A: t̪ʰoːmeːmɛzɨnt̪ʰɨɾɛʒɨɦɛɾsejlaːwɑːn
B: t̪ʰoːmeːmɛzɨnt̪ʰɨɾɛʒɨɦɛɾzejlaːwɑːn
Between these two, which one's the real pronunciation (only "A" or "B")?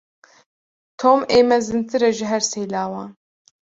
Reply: A